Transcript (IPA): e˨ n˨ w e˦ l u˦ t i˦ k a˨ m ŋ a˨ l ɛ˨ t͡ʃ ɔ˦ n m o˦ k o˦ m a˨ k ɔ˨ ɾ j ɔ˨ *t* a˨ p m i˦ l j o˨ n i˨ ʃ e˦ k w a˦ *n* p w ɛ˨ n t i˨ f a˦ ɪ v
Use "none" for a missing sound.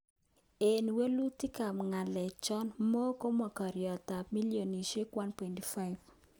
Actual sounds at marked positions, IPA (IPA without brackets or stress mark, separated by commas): t, n